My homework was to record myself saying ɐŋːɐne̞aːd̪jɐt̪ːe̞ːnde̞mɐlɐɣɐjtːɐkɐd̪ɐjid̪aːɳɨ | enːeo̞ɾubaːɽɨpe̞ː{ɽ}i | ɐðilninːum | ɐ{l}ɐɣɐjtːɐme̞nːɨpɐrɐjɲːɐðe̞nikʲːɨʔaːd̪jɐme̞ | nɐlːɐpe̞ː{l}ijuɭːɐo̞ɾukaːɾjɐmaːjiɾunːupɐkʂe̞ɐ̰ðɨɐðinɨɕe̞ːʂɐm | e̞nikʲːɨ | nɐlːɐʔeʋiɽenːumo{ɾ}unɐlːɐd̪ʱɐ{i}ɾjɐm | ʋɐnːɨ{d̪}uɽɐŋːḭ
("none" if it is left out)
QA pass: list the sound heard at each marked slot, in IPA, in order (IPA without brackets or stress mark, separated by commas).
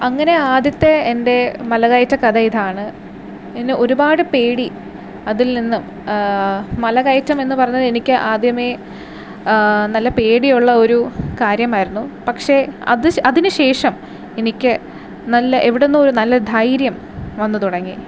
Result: ɽ, l, ɽ, ɾ, j, t̪